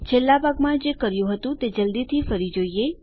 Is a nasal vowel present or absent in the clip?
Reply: present